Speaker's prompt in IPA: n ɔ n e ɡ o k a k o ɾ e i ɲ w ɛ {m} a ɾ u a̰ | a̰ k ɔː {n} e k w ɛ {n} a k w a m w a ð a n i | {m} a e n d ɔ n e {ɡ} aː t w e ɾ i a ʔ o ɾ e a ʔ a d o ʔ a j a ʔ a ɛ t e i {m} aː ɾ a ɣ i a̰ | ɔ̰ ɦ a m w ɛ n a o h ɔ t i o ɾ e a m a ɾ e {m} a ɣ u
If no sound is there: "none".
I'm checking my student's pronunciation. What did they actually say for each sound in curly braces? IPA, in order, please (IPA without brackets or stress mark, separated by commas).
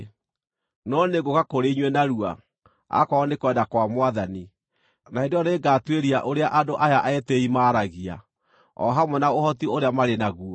n, n, d, n, ɡ, m, n